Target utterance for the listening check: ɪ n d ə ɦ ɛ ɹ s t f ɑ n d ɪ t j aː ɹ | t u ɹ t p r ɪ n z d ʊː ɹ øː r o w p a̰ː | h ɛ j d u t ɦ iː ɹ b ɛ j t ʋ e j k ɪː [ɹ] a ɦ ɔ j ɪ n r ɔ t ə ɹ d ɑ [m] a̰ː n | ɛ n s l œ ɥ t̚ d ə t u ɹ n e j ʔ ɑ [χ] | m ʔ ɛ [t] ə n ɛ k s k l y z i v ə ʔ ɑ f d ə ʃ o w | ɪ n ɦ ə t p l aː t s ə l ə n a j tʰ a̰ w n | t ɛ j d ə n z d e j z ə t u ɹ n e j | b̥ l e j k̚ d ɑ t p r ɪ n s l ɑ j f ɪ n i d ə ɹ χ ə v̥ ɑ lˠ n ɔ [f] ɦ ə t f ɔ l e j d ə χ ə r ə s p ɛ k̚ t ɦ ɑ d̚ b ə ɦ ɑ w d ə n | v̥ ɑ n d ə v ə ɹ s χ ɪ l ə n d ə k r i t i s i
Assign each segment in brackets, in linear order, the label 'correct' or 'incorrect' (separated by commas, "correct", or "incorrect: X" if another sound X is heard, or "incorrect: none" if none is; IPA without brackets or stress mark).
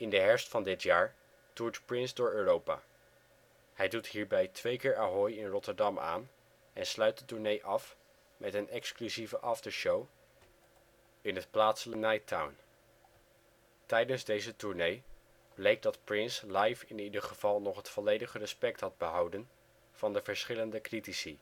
correct, correct, incorrect: f, correct, incorrect: χ